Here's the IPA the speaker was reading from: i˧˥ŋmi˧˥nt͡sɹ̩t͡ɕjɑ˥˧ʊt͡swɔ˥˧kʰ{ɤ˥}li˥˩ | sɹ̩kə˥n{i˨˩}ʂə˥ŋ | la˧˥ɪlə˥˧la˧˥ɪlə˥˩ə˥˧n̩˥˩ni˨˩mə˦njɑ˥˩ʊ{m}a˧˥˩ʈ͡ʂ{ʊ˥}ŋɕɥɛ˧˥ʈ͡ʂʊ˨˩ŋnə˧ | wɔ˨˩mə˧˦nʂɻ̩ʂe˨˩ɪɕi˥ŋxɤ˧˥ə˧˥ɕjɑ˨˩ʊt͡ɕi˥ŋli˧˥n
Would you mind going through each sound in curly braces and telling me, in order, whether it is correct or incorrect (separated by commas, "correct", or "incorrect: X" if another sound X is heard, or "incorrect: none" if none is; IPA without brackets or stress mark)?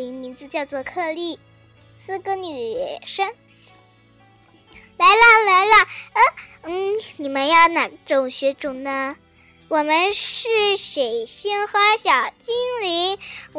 incorrect: ɤ˥˧, incorrect: y˨˩, incorrect: n, incorrect: ʊ˨˩